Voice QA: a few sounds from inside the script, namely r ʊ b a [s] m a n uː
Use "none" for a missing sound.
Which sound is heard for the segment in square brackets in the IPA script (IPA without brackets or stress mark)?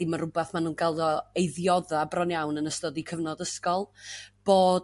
θ